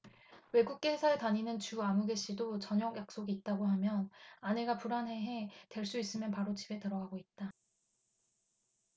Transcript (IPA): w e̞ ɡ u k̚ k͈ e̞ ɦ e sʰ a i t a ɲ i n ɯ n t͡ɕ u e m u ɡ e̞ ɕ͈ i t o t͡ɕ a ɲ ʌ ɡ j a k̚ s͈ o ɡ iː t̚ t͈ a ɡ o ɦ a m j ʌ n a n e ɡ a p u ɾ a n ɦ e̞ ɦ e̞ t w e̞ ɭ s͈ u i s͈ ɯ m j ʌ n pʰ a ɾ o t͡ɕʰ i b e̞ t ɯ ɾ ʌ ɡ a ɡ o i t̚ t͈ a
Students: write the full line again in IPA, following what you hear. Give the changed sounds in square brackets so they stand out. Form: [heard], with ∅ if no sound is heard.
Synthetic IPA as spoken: w e̞ ɡ u k̚ k͈ e̞ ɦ e sʰ a [e] t a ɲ i n ɯ n t͡ɕ u [a] m u ɡ e̞ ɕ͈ i [d] o t͡ɕ [ʌ] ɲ ʌ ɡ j a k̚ s͈ o ɡ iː t̚ t͈ a ɡ o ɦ a m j ʌ n a n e ɡ a p u ɾ a n ɦ e̞ ɦ e̞ t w e̞ ɭ s͈ u i s͈ ɯ m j ʌ n [p] a ɾ o [t͡ɕ] i b e̞ t ɯ ɾ ʌ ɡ a ɡ o i t̚ t͈ a